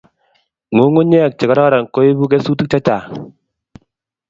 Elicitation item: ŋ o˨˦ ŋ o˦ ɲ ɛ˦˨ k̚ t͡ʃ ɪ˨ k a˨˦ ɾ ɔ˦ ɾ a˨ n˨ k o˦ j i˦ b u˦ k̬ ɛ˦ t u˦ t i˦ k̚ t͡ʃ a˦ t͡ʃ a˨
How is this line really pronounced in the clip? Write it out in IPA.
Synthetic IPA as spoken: ŋ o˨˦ ŋ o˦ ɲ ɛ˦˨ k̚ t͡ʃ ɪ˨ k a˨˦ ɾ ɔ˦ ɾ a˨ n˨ k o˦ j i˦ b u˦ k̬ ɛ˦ s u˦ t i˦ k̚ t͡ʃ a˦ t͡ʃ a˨